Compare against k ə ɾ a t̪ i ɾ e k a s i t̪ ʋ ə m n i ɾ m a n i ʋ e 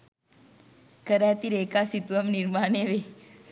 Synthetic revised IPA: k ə ɾ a t̪ i ɾ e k a s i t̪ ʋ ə m n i ɾ m a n e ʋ e